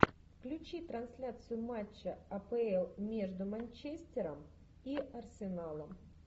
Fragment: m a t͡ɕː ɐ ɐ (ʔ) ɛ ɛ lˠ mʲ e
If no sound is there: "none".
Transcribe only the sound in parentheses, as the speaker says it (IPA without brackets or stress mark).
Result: p